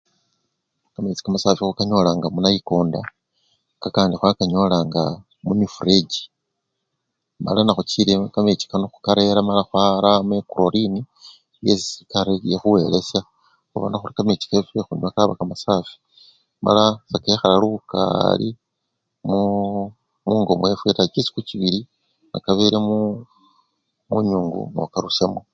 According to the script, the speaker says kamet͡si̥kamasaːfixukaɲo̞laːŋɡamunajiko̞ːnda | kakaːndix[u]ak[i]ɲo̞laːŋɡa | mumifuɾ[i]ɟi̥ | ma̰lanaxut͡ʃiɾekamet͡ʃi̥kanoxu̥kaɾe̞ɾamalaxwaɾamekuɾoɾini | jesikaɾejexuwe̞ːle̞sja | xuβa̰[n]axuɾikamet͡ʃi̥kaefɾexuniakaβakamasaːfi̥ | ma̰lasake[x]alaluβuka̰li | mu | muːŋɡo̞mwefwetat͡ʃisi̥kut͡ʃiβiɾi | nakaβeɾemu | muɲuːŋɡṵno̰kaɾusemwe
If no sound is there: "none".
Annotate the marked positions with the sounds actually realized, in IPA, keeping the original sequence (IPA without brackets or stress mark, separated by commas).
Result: w, a, e, n, x